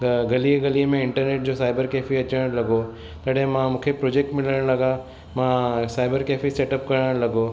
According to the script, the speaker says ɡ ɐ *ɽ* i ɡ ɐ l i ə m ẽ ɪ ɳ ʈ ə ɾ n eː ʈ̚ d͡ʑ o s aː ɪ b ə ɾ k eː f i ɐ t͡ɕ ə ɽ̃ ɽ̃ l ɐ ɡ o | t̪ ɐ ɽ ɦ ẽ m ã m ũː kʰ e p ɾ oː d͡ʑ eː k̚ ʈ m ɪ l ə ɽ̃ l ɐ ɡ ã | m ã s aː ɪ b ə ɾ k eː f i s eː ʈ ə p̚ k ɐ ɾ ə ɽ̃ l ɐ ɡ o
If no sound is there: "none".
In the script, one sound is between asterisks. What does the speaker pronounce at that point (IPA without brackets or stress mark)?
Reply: l